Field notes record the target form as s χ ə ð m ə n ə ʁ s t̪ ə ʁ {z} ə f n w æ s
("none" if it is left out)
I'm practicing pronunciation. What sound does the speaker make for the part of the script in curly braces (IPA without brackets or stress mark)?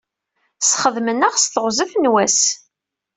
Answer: z